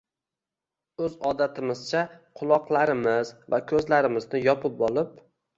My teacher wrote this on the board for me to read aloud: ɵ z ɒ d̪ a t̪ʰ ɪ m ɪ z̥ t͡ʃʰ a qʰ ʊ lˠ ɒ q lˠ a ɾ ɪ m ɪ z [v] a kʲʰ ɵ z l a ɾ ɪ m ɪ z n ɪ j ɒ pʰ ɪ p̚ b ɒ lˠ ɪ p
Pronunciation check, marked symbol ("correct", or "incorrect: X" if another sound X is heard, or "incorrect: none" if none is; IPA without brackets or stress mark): correct